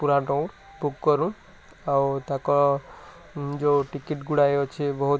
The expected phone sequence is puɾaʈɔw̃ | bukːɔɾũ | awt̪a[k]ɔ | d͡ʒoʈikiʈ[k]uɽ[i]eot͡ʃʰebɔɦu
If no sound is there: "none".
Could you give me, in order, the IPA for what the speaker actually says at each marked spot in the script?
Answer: k, ɡ, a

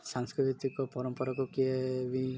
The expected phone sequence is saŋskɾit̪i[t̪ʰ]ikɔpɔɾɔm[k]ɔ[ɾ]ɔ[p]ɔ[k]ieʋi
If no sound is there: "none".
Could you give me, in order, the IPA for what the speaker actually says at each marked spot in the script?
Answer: t̪, p, ɾ, k, k

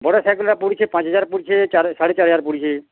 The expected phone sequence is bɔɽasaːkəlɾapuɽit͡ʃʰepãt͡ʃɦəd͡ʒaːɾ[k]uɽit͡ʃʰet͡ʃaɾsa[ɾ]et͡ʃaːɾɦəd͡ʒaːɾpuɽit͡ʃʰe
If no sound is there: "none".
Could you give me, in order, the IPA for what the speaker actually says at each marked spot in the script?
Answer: p, ɽ

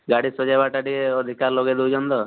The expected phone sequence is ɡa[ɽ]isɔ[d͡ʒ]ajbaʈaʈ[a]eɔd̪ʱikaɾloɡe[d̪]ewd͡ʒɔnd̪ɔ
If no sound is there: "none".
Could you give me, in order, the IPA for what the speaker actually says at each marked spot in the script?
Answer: ɽ, d͡ʒ, i, d̪

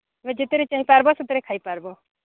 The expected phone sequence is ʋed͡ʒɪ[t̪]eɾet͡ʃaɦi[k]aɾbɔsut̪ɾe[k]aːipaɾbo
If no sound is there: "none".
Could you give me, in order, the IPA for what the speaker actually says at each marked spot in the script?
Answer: t̪, p, kʰ

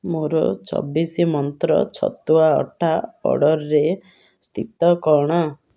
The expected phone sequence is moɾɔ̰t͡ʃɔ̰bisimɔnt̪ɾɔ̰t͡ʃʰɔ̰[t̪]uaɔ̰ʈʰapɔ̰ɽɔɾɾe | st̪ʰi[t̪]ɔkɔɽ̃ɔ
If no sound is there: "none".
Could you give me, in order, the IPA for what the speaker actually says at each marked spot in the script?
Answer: t̪, t̪

